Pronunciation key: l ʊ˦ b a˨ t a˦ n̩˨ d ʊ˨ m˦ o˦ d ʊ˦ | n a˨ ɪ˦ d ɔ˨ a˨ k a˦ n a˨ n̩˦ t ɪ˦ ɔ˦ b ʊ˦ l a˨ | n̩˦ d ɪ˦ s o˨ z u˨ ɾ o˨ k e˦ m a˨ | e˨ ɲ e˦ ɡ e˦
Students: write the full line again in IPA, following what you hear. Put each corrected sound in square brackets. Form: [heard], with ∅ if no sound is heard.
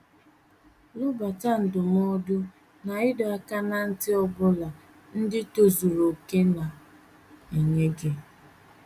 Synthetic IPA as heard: l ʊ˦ b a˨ t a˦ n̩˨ d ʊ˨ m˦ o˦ d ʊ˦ | n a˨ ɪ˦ d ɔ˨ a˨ k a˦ n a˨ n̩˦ t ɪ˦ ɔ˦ b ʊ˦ l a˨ | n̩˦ d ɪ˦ [t] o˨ z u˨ ɾ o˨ k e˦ [n] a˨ | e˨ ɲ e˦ ɡ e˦